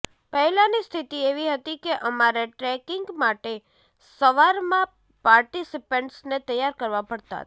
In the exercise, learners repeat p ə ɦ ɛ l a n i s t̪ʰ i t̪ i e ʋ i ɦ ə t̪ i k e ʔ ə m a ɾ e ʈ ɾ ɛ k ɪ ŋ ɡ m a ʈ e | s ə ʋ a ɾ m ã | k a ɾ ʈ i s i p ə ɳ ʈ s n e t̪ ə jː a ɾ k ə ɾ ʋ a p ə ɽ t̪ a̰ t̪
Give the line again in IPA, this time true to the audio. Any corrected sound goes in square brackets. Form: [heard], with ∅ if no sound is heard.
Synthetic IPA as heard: p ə ɦ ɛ l a n i s t̪ʰ i t̪ i e ʋ i ɦ ə t̪ i k e ʔ ə m a ɾ e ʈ ɾ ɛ k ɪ ŋ ɡ m a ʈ e | s ə ʋ a ɾ m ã | [p] a ɾ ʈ i s i p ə ɳ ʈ s n e t̪ ə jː a ɾ k ə ɾ ʋ a p ə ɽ t̪ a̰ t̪

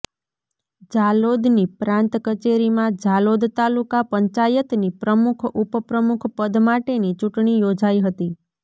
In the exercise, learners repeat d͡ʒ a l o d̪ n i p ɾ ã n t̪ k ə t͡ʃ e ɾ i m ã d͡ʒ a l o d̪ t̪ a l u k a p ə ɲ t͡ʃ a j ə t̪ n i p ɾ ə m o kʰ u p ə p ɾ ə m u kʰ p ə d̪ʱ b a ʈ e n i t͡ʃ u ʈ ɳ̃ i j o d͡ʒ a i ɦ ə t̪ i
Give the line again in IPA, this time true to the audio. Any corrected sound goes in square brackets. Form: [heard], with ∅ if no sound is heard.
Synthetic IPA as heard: d͡ʒ a l o d̪ n i p ɾ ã n t̪ k ə t͡ʃ e ɾ i m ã d͡ʒ a l o d̪ t̪ a l u k a p ə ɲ t͡ʃ a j ə t̪ n i p ɾ ə m [u] kʰ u p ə p ɾ ə m u kʰ p ə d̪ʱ [m] a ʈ e n i t͡ʃ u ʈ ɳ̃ i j o d͡ʒ a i ɦ ə t̪ i

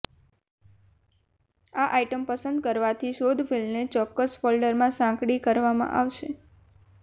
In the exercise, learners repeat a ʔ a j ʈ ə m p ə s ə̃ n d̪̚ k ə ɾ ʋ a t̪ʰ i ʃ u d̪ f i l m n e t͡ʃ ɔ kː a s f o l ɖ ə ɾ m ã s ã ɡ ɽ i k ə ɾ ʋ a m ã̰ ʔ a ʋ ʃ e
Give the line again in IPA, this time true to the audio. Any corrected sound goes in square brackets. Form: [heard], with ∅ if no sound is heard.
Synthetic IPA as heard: a ʔ a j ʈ ə m p ə s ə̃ n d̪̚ k ə ɾ ʋ a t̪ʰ i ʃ [o] d̪ f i l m n e t͡ʃ ɔ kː [ə] s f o l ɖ ə ɾ m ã s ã [k] ɽ i k ə ɾ ʋ a m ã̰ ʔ a ʋ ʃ e

